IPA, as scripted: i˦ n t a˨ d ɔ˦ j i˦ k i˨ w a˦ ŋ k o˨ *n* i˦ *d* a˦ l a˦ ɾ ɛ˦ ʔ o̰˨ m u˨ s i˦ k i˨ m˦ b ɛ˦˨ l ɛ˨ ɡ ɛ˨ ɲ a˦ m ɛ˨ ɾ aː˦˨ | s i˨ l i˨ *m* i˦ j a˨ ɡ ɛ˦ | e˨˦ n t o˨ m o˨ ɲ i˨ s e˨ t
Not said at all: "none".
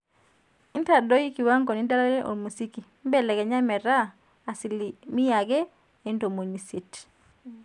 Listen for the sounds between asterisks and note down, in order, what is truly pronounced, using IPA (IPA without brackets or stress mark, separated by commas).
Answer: n, d, m